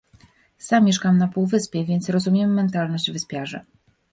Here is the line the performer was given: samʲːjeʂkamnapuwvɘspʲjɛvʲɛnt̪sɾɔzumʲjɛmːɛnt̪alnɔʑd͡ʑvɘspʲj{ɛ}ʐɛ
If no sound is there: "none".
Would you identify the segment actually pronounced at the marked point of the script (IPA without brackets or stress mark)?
a